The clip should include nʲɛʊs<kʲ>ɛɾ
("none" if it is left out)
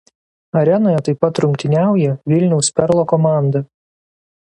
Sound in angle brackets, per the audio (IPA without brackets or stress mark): pʲ